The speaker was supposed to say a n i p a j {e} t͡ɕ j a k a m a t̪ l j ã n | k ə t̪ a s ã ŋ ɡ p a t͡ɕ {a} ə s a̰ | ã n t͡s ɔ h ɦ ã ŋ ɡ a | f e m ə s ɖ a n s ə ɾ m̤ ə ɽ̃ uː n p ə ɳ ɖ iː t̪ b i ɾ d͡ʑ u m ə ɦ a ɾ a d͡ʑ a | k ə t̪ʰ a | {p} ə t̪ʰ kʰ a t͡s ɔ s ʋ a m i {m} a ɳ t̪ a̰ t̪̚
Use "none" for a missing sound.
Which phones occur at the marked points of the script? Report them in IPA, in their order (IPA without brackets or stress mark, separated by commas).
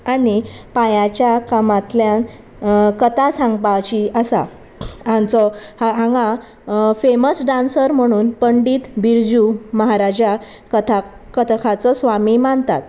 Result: a, i, k, m